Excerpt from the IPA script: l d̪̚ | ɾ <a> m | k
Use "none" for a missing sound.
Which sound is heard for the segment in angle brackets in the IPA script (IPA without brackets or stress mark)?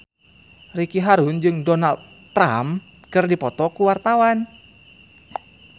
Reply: a